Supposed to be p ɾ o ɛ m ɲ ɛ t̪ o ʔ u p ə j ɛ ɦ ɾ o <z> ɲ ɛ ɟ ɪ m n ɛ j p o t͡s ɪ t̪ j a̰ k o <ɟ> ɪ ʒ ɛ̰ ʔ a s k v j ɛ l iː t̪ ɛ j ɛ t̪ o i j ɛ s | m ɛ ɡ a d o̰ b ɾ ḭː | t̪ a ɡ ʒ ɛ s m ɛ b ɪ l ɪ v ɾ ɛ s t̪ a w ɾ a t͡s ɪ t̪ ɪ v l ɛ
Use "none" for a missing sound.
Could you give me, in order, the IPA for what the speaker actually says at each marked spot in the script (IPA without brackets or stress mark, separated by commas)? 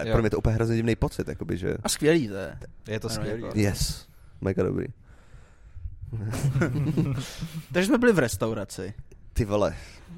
z, b